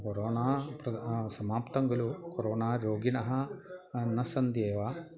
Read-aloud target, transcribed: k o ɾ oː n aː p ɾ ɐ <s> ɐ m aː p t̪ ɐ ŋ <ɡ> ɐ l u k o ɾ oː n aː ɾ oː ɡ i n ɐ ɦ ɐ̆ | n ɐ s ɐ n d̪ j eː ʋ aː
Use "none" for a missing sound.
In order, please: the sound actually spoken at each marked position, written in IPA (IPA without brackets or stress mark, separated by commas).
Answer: s, ɡ